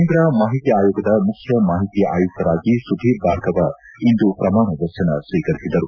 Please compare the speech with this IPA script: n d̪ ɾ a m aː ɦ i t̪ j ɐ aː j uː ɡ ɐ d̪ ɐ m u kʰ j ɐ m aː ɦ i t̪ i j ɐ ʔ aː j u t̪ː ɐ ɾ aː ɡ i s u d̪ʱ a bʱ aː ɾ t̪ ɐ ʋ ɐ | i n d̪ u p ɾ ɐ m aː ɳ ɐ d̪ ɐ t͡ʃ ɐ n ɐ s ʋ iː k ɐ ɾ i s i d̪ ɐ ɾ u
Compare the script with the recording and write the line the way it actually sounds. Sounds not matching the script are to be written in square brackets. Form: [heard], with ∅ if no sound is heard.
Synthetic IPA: n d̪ ɾ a m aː ɦ i t̪ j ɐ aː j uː ɡ ɐ d̪ ɐ m u kʰ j ɐ m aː ɦ i t̪ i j ɐ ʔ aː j u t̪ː ɐ ɾ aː ɡ i s u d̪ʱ [i] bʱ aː ɾ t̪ ɐ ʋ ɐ | i n d̪ u p ɾ ɐ m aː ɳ ɐ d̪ ɐ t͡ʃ ɐ n ɐ s ʋ iː k ɐ ɾ i s i d̪ ɐ ɾ u